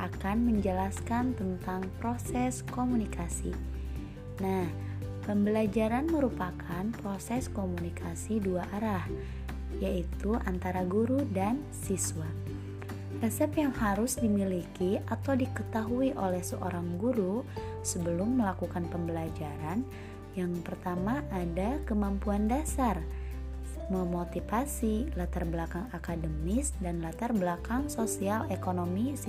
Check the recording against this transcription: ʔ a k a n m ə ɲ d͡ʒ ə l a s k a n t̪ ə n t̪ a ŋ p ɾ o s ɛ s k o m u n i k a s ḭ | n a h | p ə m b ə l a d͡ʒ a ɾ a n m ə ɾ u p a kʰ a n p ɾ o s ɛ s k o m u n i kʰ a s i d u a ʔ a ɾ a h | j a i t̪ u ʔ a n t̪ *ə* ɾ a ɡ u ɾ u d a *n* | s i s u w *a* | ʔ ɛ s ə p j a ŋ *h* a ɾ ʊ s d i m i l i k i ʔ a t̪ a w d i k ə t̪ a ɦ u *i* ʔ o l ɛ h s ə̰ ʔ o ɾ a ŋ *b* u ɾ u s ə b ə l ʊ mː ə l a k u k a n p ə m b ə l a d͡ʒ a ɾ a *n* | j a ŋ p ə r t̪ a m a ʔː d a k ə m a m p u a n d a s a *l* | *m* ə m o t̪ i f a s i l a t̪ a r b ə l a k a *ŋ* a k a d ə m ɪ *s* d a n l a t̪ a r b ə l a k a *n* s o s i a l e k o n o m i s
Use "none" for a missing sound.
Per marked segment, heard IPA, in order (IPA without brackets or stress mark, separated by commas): a, n, a, h, i, ɡ, n, r, m, ŋ, s, ŋ